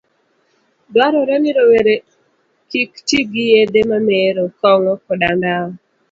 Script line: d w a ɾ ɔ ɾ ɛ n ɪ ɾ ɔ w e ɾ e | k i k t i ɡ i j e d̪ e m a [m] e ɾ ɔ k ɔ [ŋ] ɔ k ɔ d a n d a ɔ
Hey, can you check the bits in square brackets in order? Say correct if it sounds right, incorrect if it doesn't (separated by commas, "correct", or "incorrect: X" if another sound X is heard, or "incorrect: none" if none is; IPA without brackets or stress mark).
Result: correct, correct